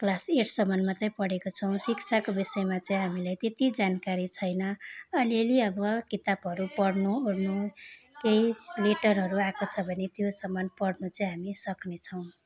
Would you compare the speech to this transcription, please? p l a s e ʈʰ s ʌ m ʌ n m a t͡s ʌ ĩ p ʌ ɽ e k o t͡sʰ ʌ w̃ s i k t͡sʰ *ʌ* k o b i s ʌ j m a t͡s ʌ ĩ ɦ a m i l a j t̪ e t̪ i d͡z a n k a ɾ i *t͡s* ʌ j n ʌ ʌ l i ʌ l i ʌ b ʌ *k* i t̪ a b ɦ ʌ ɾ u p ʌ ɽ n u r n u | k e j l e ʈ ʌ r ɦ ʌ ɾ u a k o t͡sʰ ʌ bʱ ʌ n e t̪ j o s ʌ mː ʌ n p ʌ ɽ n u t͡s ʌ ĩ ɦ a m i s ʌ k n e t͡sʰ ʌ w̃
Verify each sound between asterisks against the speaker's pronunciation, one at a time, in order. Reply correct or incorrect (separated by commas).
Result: incorrect, incorrect, correct